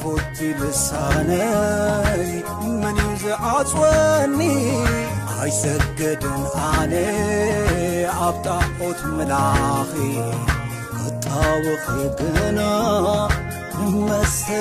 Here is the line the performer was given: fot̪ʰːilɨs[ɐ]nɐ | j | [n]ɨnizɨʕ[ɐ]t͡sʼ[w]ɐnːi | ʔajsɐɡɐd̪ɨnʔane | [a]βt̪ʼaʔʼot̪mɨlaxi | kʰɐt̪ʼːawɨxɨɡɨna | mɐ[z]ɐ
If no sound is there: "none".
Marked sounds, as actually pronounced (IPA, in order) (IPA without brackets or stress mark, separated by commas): a, m, a, w, a, s